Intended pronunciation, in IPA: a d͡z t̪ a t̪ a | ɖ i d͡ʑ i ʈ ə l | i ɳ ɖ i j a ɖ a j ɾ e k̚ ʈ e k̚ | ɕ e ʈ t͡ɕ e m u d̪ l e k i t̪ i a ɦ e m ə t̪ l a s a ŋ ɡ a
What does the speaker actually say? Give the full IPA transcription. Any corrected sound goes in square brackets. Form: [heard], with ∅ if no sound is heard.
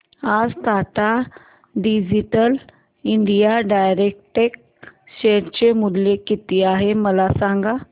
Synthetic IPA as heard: a d͡z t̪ a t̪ a | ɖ i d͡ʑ i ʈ ə l | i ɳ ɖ i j a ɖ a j ɾ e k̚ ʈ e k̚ | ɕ e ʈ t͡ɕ e m u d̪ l e k i t̪ i a ɦ e m ə [∅] l a s a ŋ ɡ a